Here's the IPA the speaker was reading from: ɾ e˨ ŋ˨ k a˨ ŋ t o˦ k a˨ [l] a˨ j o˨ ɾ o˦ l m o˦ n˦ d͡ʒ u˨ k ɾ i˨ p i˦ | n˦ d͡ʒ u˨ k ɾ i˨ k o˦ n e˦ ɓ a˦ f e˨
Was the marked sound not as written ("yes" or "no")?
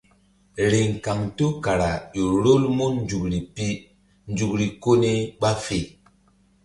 yes